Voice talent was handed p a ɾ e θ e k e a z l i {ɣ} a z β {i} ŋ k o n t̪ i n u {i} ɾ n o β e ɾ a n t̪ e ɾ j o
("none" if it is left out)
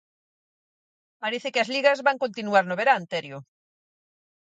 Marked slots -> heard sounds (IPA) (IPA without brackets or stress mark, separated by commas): ɣ, a, a